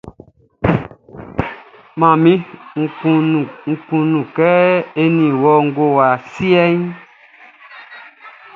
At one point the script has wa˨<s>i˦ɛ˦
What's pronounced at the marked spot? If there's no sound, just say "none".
s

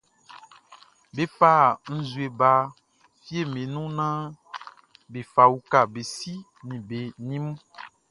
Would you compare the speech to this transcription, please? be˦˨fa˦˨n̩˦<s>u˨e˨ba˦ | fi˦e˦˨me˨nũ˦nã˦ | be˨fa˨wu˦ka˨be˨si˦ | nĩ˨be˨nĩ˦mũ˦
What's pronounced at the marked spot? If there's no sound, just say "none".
z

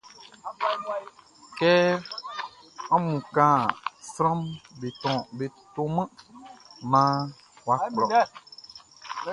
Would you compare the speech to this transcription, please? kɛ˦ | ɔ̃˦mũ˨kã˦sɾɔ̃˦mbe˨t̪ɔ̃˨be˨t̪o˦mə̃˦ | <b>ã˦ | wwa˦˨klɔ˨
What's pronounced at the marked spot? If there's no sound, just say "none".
m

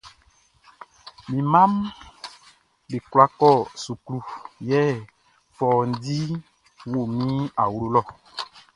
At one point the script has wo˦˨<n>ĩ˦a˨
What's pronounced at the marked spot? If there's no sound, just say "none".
m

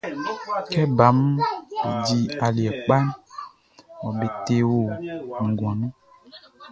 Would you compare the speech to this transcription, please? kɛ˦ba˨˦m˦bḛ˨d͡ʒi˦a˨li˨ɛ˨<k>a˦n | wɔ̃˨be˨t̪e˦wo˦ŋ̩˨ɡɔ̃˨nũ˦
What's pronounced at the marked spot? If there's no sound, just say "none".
k͡p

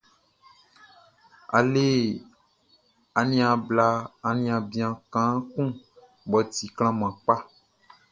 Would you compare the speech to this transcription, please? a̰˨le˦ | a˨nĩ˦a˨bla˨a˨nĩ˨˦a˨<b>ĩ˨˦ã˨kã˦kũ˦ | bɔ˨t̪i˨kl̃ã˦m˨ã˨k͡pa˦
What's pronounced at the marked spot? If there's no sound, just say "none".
b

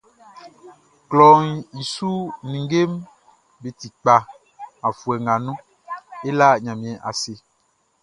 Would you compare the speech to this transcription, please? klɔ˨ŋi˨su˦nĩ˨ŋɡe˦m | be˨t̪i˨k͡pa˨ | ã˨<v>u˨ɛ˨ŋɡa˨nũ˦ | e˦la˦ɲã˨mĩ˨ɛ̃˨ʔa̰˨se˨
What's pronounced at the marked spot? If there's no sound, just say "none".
f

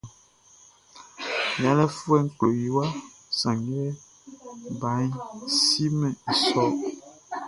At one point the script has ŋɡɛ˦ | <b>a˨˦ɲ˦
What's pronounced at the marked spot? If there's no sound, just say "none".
b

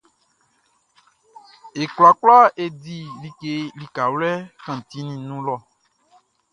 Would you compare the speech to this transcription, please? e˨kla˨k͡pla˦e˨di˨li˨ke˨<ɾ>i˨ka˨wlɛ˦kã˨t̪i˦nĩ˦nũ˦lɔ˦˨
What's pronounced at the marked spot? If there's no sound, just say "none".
l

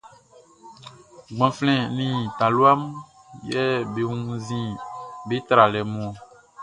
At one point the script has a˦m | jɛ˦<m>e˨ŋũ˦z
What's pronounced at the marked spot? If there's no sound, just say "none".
b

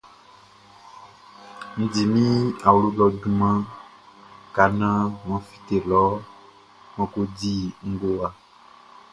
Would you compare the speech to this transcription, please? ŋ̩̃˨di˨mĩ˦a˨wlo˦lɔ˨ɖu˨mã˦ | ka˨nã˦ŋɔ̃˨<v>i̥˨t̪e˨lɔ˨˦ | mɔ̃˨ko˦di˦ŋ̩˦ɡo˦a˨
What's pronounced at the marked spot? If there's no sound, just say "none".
f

